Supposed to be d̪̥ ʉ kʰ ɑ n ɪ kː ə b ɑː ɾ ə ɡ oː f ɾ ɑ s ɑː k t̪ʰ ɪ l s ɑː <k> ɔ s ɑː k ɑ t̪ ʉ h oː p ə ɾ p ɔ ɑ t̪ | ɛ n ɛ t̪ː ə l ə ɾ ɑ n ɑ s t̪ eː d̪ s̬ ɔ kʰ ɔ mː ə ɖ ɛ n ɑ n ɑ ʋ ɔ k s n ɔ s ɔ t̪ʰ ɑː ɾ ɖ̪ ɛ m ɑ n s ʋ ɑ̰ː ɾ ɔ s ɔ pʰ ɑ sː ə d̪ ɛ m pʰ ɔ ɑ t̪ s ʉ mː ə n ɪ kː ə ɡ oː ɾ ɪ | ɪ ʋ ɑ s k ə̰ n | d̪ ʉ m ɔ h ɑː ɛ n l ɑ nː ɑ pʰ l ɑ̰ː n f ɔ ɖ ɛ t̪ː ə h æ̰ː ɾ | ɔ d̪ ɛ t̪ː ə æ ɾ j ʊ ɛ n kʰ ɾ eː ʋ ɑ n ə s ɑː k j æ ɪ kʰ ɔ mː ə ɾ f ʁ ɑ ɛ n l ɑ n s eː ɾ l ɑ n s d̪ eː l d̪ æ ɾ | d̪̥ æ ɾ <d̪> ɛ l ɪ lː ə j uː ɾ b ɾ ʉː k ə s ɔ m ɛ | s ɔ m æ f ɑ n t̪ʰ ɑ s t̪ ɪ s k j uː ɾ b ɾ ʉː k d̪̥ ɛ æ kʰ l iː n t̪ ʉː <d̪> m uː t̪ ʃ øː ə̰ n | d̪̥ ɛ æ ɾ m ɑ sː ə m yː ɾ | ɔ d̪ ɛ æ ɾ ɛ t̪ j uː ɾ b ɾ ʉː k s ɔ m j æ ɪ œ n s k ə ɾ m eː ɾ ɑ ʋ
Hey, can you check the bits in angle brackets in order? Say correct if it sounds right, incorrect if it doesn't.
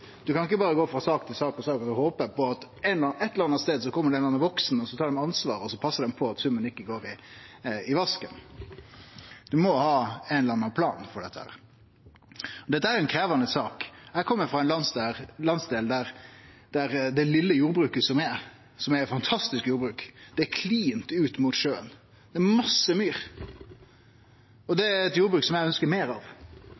correct, correct, incorrect: t̪

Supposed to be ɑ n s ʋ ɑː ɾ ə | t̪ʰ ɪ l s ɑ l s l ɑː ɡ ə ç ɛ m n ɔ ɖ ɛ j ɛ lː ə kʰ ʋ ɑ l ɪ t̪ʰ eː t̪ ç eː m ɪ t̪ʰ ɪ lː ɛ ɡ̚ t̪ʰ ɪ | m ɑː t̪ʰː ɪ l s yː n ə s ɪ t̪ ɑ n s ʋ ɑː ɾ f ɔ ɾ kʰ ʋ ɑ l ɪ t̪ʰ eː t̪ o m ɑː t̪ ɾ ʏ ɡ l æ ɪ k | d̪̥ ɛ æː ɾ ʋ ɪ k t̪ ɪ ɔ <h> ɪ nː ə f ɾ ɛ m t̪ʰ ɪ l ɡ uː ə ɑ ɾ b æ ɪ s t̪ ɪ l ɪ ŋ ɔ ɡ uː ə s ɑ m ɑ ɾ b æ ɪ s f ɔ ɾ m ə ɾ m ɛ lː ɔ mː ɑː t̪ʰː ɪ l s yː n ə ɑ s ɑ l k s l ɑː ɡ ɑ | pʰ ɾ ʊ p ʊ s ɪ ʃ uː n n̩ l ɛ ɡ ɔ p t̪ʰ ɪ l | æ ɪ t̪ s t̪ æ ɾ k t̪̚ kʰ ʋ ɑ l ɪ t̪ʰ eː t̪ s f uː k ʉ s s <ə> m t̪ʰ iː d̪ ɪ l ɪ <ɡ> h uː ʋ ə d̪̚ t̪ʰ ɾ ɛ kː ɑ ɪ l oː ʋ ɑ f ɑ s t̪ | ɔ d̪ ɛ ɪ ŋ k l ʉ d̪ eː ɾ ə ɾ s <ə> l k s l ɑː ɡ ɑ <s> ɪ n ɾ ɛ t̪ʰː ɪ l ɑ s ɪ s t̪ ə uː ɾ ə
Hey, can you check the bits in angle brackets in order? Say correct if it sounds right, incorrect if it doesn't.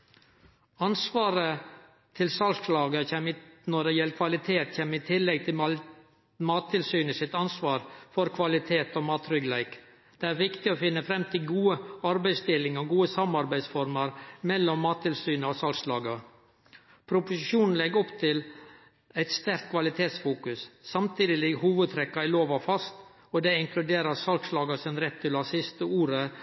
incorrect: f, incorrect: ɑ, correct, incorrect: ɑ, correct

